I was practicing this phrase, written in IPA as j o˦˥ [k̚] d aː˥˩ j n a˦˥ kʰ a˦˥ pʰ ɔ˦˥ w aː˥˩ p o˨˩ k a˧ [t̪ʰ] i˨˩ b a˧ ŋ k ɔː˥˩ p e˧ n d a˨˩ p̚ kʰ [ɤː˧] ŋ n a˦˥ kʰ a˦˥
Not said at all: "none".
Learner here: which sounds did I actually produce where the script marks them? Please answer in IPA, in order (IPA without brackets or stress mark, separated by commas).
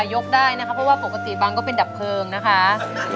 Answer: k̚, t̪, ɤː˧